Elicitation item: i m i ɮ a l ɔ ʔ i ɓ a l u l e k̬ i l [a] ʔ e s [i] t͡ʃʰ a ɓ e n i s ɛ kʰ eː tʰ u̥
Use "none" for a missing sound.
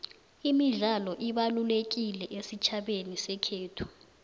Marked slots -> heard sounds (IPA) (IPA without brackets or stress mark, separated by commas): ɛ, i